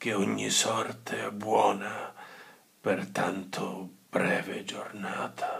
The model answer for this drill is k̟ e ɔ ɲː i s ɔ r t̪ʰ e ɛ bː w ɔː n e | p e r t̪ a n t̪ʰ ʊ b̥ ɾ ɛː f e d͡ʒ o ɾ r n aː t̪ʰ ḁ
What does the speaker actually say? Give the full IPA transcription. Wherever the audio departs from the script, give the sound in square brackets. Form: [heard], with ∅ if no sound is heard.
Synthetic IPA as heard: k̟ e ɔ ɲː i s ɔ r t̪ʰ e ɛ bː w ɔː n [a] | p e r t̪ a n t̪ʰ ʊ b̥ ɾ ɛː [v] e d͡ʒ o [∅] r n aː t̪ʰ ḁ